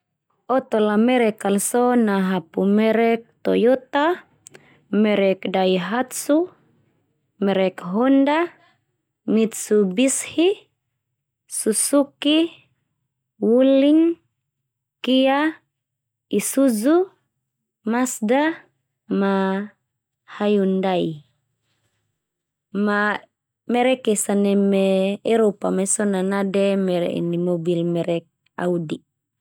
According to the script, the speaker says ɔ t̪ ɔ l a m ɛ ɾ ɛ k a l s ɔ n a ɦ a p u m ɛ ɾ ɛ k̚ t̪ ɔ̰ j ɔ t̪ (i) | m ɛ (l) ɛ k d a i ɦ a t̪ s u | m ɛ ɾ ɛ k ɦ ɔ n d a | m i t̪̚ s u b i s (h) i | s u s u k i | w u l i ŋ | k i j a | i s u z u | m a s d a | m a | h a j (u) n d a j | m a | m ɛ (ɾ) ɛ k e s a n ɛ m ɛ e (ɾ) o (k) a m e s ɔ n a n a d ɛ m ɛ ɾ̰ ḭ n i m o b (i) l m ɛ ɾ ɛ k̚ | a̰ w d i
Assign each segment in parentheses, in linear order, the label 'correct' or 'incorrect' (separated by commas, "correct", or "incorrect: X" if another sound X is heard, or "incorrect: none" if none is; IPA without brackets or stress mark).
incorrect: a, incorrect: ɾ, correct, correct, correct, correct, incorrect: p, correct